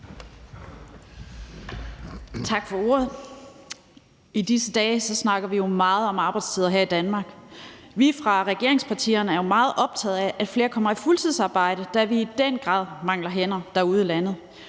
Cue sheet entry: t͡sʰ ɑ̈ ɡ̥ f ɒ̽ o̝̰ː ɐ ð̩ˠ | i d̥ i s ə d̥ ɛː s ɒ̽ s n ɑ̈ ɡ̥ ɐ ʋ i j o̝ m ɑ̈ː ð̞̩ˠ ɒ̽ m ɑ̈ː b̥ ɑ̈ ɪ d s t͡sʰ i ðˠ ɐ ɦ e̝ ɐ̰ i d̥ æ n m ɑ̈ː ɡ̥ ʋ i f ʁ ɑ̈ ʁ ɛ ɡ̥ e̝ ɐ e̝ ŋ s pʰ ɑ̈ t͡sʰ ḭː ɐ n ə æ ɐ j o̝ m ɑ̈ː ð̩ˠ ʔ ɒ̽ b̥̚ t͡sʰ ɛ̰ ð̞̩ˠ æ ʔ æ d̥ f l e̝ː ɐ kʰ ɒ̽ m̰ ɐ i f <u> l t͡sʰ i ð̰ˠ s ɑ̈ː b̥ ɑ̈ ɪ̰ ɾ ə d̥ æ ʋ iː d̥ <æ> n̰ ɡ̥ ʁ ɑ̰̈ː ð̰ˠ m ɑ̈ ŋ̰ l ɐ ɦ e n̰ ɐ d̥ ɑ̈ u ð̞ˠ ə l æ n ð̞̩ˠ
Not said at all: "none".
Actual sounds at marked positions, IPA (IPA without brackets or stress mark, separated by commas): u, e